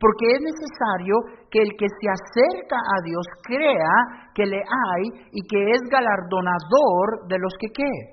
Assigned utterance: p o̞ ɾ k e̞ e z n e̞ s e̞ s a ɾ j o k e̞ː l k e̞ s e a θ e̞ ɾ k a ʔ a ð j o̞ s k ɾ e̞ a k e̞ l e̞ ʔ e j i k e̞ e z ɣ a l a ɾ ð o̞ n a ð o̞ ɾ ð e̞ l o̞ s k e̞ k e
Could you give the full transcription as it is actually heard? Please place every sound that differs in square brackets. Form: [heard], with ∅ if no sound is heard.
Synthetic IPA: p o̞ ɾ k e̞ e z n e̞ s e̞ s a ɾ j o k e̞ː l k e̞ s e a [s] e̞ ɾ k a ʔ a ð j o̞ s k ɾ e̞ a k e̞ l e̞ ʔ [a] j i k e̞ e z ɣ a l a ɾ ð o̞ n a ð o̞ ɾ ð e̞ l o̞ s k e̞ k e